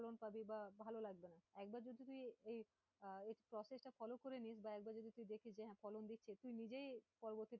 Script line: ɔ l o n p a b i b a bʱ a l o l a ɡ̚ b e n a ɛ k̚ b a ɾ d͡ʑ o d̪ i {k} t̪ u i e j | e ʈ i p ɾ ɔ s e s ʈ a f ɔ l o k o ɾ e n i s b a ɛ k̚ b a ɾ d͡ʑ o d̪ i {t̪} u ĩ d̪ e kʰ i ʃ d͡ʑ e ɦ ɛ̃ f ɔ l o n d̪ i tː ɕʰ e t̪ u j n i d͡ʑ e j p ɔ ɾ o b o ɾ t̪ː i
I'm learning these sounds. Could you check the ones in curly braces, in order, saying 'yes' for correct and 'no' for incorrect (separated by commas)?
no, yes